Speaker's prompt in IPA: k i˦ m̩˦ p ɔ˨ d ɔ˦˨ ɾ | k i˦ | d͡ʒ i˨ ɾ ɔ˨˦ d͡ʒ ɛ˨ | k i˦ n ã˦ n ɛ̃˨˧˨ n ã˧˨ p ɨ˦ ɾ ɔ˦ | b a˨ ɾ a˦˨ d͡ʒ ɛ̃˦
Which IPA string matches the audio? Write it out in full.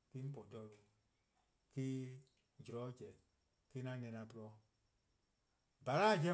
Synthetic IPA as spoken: k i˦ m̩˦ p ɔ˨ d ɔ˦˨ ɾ | k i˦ | d͡ʒ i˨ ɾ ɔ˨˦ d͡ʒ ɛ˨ | k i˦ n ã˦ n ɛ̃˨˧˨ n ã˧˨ p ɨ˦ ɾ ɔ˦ | b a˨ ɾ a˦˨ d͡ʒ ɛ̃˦